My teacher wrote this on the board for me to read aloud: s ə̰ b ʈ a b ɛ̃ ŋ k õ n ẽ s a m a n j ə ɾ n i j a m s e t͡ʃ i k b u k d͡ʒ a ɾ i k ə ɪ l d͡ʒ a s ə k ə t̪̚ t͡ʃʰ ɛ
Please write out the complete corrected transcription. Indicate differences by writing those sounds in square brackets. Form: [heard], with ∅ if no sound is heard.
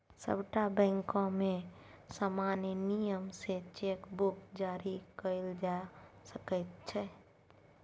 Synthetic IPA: s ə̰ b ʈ a b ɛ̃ ŋ k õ [m] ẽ s a m a n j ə [∅] n i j [ə] m s e t͡ʃ [e] k b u k d͡ʒ a ɾ i k ə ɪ l d͡ʒ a s ə k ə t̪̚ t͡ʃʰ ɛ